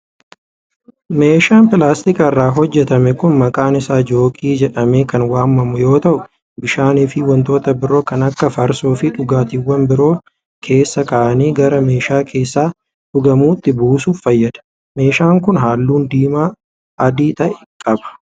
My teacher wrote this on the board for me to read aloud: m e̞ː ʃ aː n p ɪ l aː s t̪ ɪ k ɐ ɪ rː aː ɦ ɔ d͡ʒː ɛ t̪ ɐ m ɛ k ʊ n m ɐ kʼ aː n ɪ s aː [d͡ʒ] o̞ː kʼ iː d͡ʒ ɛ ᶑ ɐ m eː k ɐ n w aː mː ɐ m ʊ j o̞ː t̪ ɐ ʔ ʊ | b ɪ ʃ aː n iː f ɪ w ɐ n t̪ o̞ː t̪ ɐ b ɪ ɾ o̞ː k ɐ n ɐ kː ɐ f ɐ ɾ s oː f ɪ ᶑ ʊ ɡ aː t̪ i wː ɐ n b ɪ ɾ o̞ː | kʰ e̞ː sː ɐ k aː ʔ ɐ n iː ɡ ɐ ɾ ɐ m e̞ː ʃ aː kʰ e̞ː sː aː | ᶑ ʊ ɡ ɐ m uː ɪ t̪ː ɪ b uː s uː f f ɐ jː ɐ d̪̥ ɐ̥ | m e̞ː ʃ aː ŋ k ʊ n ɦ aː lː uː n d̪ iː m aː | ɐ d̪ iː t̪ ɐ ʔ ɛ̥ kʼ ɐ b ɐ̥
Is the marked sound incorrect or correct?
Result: correct